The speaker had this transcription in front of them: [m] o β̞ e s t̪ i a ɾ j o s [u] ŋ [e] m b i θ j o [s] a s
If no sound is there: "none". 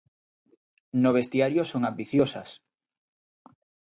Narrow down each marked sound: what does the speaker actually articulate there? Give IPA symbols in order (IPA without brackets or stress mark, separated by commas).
n, o, a, s